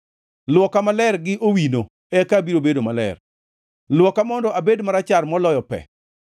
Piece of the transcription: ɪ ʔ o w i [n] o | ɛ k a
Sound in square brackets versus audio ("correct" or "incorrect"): correct